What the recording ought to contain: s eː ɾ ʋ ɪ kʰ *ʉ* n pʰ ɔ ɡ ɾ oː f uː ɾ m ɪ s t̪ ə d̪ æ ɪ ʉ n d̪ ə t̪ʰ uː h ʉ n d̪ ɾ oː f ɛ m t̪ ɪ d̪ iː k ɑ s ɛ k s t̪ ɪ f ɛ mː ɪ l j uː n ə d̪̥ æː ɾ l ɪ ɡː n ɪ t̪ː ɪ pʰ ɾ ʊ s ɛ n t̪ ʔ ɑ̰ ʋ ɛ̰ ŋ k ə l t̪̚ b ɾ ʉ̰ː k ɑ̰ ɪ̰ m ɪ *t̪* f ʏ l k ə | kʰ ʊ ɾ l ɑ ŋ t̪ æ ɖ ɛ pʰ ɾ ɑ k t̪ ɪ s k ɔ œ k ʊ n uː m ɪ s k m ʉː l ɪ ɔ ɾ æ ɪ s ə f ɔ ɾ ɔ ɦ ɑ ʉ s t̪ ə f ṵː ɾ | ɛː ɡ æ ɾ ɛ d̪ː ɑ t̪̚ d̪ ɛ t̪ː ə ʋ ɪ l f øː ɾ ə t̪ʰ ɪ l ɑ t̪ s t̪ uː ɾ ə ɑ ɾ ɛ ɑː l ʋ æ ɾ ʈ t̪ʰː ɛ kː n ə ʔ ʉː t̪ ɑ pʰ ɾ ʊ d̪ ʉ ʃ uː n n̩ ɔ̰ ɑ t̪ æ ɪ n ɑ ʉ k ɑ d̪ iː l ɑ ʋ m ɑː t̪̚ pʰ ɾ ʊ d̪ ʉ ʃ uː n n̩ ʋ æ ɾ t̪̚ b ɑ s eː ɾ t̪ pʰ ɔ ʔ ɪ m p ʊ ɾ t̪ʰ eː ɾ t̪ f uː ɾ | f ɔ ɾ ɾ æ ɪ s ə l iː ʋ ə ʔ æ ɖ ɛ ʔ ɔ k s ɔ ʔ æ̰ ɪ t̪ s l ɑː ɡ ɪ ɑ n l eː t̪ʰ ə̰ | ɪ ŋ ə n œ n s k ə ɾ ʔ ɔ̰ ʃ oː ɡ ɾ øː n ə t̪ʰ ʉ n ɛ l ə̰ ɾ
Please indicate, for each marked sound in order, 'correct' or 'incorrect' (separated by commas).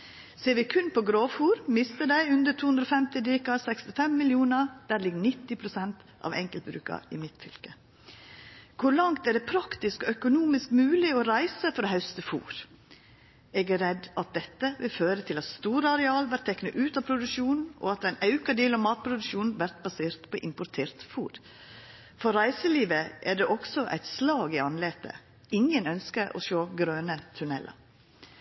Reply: correct, correct